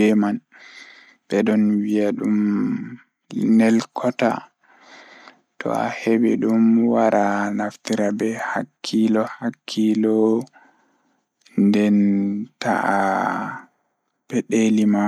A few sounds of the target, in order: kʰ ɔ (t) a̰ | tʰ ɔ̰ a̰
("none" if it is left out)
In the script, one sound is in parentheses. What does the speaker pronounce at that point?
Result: t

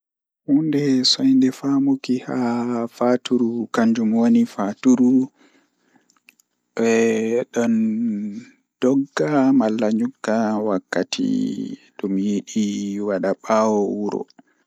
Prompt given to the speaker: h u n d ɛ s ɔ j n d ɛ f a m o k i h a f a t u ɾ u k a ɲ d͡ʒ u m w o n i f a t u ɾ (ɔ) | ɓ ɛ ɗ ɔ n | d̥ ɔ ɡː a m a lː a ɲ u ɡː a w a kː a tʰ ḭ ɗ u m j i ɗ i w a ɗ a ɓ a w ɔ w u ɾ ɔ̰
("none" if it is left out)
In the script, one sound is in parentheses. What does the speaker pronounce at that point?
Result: u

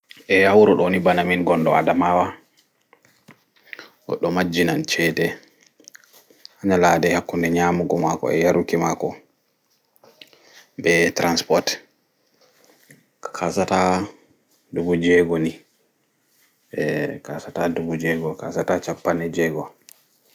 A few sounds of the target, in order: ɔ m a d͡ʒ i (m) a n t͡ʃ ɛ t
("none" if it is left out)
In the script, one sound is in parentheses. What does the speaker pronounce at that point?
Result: n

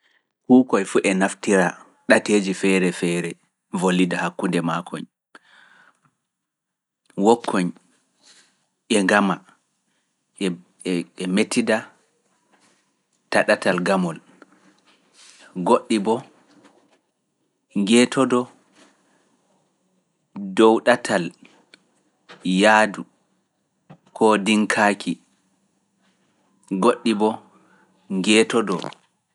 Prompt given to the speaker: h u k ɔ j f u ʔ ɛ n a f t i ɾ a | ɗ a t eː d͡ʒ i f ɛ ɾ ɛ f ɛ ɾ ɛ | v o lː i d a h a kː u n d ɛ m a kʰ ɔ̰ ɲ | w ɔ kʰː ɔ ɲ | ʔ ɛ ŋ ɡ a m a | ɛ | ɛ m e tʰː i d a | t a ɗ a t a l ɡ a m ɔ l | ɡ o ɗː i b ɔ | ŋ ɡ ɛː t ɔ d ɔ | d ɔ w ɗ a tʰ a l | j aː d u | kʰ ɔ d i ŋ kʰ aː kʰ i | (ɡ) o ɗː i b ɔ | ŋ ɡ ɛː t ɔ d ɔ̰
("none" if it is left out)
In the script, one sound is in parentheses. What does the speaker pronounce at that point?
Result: ɡ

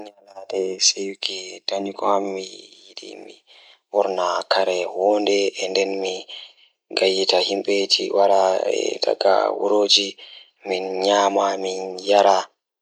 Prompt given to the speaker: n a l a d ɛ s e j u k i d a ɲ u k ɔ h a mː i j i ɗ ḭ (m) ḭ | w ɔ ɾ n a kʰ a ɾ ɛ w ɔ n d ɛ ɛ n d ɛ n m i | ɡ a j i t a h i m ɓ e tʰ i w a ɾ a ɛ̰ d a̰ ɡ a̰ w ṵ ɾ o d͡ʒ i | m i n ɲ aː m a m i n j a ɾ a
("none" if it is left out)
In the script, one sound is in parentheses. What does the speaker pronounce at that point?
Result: m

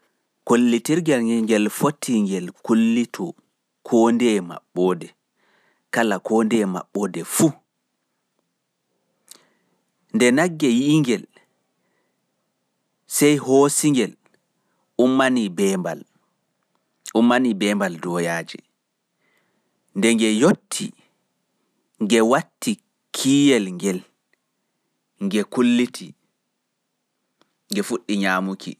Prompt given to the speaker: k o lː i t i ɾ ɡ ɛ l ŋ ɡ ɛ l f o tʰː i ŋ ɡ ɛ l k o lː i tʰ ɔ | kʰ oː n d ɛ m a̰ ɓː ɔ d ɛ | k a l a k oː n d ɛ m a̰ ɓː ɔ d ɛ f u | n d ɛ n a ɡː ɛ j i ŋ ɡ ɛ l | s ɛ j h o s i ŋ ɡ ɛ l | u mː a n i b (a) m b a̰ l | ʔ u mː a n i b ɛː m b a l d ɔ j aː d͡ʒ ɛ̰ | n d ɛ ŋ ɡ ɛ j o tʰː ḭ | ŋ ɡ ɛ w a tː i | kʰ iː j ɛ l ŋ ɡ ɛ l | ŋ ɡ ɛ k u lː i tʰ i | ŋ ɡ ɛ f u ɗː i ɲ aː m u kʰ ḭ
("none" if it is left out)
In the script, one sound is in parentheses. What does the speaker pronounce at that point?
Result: ɛ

